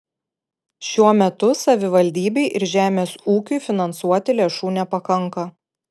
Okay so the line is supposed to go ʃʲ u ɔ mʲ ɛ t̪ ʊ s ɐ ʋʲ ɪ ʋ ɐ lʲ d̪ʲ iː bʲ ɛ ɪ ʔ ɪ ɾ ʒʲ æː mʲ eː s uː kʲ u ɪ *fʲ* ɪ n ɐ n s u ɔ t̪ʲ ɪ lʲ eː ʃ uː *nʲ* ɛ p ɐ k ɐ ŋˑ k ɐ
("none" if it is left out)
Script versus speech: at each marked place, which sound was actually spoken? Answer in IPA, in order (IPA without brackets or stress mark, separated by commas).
fʲ, nʲ